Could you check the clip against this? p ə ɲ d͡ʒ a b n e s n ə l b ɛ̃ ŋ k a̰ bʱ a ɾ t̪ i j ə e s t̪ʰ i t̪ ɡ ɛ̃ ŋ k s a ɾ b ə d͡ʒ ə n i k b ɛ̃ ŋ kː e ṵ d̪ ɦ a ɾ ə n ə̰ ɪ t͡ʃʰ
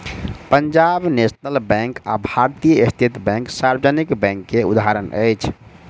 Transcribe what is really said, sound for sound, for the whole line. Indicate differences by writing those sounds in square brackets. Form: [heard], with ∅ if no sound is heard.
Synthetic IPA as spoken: p ə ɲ d͡ʒ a b n e s n ə l b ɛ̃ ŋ k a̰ bʱ a ɾ t̪ i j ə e s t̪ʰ i t̪ [b] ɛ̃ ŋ k s a ɾ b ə d͡ʒ ə n i k b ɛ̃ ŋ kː e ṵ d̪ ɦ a ɾ ə n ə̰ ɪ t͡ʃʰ